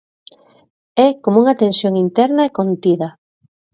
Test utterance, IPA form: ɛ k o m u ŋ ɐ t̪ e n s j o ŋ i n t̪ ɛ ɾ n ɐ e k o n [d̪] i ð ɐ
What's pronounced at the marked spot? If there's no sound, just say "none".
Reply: t̪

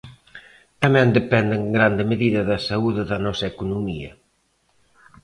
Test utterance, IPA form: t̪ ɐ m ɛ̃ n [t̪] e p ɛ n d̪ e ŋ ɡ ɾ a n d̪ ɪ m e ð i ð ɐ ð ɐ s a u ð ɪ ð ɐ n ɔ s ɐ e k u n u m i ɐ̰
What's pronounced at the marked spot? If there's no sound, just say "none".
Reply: d̪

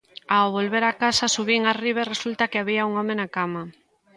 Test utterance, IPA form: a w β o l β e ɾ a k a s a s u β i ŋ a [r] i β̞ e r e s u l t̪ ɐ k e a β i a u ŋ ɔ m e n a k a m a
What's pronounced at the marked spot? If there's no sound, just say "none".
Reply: r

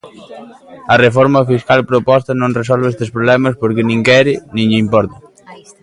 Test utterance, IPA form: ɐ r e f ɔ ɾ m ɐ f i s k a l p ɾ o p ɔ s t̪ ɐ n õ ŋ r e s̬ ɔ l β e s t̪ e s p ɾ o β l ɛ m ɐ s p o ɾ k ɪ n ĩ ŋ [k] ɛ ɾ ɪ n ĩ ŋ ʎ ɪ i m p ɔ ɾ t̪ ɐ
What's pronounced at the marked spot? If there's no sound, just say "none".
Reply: k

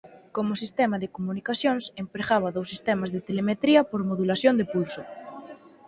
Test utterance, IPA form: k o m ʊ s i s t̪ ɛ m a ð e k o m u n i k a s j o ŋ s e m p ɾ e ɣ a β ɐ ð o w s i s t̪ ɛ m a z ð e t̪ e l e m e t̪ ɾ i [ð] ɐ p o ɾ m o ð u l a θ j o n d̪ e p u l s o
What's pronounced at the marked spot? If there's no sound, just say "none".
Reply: none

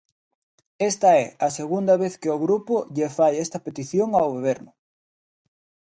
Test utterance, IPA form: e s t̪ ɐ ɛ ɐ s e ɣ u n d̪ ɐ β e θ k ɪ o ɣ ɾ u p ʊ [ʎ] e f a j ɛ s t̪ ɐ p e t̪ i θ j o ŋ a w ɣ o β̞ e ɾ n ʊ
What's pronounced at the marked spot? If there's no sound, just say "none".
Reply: ʎ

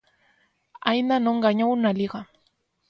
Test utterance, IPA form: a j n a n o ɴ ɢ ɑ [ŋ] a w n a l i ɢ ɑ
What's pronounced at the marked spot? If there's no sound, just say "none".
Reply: ɲ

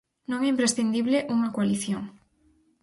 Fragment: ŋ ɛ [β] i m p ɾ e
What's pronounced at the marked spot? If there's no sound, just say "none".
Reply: none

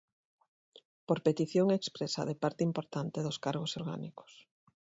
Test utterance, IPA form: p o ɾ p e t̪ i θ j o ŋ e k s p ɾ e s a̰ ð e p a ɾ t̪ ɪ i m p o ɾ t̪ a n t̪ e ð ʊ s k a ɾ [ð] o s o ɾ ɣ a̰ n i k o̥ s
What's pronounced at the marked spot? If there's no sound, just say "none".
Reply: ɣ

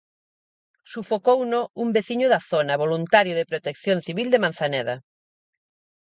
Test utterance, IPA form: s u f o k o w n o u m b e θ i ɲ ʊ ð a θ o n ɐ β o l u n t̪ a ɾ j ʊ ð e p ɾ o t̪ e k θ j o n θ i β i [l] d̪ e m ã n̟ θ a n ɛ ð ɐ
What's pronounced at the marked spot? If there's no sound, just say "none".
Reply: l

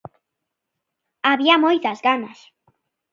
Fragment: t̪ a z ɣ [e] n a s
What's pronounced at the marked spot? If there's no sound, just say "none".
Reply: a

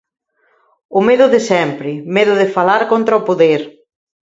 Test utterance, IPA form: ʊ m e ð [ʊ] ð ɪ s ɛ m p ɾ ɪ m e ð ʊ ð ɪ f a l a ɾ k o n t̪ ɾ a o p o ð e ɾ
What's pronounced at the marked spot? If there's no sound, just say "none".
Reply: ʊ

